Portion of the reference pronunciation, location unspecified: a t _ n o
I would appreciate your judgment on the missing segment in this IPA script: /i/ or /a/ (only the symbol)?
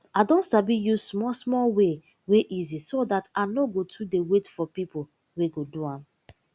a